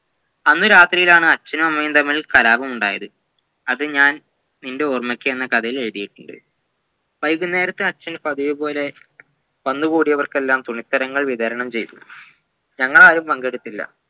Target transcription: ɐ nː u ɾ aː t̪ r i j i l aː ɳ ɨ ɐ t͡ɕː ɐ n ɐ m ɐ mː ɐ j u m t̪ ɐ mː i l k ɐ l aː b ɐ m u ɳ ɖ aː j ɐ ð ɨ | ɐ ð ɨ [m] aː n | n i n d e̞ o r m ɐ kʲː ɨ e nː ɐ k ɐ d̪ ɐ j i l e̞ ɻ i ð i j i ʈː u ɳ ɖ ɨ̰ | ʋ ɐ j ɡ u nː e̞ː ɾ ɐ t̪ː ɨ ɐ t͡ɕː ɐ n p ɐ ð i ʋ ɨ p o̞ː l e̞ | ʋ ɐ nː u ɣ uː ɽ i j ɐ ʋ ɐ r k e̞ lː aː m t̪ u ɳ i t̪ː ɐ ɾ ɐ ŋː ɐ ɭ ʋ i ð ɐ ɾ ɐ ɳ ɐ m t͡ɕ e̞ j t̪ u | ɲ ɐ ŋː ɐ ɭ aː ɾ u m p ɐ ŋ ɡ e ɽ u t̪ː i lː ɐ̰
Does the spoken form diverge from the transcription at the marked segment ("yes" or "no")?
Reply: yes